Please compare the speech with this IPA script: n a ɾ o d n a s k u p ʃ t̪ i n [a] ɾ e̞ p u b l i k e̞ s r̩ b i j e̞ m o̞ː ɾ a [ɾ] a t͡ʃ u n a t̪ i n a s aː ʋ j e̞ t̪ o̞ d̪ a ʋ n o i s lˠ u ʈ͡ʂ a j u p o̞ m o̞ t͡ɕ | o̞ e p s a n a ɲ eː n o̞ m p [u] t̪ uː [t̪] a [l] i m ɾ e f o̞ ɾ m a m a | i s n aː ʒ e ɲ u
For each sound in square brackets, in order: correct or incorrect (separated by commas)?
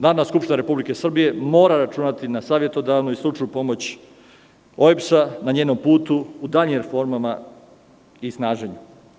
correct, correct, incorrect, incorrect, incorrect